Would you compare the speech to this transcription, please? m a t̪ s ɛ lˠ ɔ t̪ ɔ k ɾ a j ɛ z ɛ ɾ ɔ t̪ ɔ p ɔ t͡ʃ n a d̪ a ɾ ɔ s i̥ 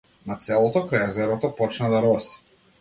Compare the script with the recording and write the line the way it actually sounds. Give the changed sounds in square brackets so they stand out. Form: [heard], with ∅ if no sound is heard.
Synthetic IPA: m a t̪ s ɛ lˠ ɔ t̪ ɔ k ɾ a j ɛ z ɛ ɾ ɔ t̪ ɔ p ɔ t͡ʃ n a d̪ a ɾ ɔ s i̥